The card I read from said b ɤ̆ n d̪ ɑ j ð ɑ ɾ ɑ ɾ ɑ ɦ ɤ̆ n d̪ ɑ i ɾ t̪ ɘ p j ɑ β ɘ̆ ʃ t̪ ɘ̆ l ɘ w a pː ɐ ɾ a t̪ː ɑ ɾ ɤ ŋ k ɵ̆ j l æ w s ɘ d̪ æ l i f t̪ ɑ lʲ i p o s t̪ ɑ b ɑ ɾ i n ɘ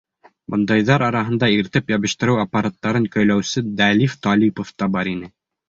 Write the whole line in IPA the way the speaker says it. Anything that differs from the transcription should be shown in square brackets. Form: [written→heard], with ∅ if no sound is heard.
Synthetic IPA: b ɤ̆ n d̪ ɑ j ð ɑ ɾ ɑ ɾ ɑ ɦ ɤ̆ n d̪ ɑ i ɾ t̪ ɘ p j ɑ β ɘ̆ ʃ t̪ ɘ̆ [l→ɾ] ɘ w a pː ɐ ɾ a t̪ː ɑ ɾ ɤ ŋ k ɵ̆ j l æ w s ɘ d̪ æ l i f t̪ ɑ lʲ i p o [s→f] t̪ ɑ b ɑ ɾ i n ɘ